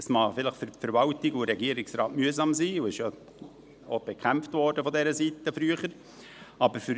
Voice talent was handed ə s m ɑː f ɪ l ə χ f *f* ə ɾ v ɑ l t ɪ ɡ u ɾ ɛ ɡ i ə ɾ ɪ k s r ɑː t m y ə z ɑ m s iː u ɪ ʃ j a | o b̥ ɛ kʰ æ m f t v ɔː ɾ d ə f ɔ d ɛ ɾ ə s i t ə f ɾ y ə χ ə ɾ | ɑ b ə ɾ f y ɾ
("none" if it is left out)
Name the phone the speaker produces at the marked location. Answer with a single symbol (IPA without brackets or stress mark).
f